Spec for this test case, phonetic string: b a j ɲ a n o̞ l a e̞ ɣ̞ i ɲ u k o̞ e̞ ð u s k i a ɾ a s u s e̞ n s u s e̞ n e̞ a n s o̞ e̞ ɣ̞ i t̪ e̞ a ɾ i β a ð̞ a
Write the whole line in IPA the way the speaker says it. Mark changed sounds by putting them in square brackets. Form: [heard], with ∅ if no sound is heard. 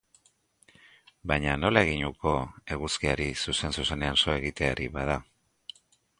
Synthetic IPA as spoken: b a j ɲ a n o̞ l a e̞ ɣ̞ i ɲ u k o̞ e̞ [ɣ] u s k i a ɾ [i] s u s e̞ n s u s e̞ n e̞ a n s o̞ e̞ ɣ̞ i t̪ e̞ a ɾ i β a ð̞ a